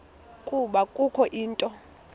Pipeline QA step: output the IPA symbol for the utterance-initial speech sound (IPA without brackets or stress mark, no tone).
kʼ